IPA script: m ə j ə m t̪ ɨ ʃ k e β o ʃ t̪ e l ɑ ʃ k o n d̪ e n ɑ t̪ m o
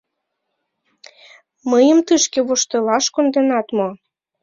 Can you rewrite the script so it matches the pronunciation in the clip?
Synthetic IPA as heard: m ə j ə m t̪ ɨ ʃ k e β o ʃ t̪ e l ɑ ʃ k o n d̪ e n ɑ t̪ m o